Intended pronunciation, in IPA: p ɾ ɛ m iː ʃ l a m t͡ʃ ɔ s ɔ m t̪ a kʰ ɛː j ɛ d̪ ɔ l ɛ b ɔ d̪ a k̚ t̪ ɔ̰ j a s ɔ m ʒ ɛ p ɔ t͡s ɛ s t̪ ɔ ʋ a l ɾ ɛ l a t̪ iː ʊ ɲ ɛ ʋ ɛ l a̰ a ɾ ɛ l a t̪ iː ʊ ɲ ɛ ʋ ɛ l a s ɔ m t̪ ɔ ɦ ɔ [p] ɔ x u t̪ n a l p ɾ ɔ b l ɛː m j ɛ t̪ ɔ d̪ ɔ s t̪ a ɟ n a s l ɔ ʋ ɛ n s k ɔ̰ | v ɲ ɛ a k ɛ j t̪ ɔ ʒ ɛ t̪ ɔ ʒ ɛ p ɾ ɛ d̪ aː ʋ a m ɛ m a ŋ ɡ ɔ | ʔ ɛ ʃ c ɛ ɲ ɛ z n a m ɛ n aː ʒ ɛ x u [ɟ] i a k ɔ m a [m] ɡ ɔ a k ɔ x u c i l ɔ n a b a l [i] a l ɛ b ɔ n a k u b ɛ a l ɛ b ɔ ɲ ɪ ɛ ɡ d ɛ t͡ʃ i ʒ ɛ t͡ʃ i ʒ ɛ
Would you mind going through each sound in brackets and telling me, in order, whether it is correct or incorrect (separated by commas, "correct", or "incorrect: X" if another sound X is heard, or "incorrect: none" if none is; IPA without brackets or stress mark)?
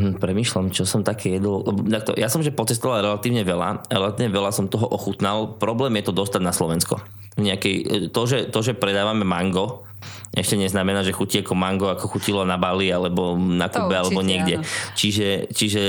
incorrect: ʔ, incorrect: c, incorrect: ŋ, correct